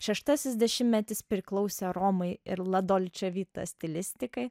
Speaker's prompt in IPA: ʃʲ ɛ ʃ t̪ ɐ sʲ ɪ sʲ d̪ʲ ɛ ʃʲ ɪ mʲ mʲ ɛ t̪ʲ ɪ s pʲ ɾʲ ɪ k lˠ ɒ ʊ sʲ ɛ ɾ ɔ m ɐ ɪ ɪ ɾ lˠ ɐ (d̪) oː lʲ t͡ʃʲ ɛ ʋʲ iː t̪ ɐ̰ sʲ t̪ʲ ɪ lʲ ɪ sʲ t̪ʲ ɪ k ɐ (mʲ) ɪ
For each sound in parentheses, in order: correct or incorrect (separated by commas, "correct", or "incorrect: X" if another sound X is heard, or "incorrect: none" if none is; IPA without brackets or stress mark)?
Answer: correct, incorrect: none